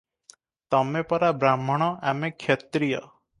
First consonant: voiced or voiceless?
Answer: voiceless